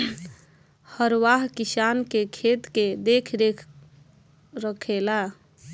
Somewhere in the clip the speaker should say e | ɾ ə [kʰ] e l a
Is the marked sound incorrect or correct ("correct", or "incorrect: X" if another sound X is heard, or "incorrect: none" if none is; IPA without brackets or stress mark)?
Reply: correct